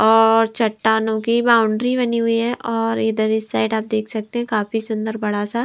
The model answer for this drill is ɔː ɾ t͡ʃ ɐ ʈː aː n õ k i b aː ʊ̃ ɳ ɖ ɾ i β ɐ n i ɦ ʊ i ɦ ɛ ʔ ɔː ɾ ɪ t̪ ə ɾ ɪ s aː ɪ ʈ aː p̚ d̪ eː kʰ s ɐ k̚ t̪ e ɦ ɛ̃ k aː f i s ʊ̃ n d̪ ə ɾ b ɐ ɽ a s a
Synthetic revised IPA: ɔː ɾ t͡ʃ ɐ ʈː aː n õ k i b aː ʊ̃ ɳ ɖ ɾ i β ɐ n i ɦ ʊ i ɦ ɛ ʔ ɔː ɾ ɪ d̪ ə ɾ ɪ s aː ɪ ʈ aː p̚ d̪ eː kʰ s ɐ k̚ t̪ e ɦ ɛ̃ k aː f i s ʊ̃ n d̪ ə ɾ b ɐ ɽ a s a